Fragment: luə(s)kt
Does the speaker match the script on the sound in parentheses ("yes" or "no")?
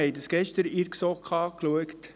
no